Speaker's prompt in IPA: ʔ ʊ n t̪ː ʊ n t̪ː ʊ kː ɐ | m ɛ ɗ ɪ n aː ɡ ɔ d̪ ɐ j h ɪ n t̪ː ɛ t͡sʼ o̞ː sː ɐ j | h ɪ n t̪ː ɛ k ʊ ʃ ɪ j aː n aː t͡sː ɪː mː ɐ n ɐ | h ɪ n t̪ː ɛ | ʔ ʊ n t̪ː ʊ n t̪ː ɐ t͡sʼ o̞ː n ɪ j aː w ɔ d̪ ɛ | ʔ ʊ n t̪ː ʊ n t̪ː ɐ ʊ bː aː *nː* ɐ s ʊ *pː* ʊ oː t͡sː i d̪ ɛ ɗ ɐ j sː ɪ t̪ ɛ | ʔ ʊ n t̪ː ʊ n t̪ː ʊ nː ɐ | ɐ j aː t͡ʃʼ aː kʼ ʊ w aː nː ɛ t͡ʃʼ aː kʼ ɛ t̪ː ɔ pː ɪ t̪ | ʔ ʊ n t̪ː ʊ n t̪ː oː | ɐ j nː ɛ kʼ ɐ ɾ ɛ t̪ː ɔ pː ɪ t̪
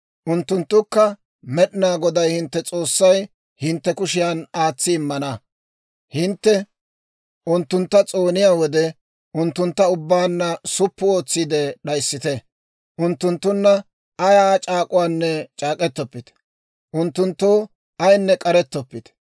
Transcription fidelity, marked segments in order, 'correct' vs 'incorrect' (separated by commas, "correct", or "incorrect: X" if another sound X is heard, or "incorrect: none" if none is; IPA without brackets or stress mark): correct, correct